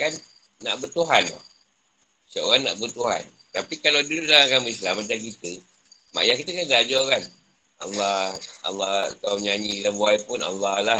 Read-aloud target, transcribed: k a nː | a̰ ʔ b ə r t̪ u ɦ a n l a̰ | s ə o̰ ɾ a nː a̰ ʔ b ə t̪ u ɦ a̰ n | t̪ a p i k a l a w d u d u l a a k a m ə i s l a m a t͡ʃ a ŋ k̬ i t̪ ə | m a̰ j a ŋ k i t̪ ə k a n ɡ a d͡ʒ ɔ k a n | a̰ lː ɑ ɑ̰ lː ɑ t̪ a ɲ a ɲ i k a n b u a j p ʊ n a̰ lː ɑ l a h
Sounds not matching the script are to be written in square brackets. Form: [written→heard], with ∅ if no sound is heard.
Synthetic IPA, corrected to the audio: k a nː | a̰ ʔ b ə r t̪ u ɦ a n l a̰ | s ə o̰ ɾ a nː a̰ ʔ b ə t̪ u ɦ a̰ n | t̪ a p i k a l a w d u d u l a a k a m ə i s l a m a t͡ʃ a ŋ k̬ i t̪ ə | m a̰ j a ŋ k i t̪ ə k a n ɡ a d͡ʒ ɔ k a n | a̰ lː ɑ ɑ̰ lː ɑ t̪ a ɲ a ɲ i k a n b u a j p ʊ n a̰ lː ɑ l a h